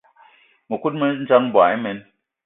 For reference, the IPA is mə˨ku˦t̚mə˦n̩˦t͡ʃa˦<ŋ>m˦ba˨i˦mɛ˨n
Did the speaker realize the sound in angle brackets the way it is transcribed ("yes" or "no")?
yes